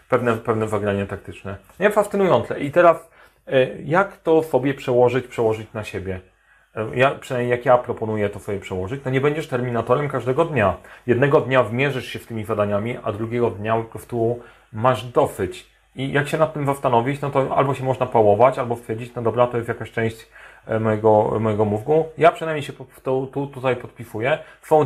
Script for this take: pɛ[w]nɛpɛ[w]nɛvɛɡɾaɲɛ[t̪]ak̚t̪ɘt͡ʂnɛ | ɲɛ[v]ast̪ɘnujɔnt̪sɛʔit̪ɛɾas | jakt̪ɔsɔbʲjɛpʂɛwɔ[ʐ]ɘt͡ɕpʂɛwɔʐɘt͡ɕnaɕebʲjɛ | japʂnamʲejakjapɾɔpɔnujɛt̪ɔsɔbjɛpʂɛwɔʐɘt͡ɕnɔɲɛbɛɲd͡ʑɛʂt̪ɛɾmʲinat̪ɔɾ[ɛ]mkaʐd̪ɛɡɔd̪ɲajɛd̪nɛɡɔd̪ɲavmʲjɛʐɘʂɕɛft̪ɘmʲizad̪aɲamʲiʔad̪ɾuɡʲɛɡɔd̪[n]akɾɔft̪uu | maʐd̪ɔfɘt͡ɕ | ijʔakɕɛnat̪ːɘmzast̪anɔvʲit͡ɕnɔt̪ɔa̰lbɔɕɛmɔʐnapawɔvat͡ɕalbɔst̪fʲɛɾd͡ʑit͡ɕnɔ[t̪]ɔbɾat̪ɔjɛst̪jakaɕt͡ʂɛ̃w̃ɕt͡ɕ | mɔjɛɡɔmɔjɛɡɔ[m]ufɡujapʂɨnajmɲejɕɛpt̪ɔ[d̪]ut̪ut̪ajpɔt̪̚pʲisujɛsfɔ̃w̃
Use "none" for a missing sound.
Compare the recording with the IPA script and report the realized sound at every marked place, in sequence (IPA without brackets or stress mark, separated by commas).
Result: v, v, t̪, f, ʐ, ɛ, ɲ, d̪, m, t̪